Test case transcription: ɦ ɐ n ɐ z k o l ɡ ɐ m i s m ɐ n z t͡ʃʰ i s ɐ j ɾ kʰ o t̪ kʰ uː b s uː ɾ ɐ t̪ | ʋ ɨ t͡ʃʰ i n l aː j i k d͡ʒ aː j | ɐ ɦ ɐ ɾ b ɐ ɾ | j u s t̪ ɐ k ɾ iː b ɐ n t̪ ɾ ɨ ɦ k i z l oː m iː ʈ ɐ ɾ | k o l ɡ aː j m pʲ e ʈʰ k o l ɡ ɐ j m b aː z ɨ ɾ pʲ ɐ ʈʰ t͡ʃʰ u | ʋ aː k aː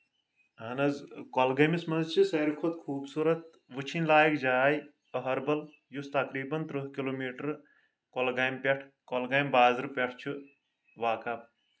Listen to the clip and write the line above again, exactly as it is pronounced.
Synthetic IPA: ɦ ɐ n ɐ z k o l ɡ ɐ m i s m ɐ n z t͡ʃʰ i s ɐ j ɾ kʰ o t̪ kʰ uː b s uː ɾ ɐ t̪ | ʋ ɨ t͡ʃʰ i n l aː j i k d͡ʒ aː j | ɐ ɦ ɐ ɾ b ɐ l | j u s t̪ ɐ k ɾ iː b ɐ n t̪ ɾ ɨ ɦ k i l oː m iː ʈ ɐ ɾ | k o l ɡ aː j m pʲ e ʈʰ k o l ɡ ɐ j m b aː z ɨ ɾ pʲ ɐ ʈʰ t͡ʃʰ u | ʋ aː k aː